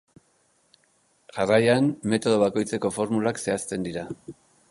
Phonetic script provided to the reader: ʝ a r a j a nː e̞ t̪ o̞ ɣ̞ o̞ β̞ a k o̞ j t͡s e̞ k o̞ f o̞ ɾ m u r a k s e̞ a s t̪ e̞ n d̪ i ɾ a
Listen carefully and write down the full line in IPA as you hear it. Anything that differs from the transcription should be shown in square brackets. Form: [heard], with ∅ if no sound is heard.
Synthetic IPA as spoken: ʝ a r a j a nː e̞ t̪ o̞ [ð̞] o̞ β̞ a k o̞ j t͡s e̞ k o̞ f o̞ ɾ m u [l] a k s e̞ a s t̪ e̞ n d̪ i ɾ a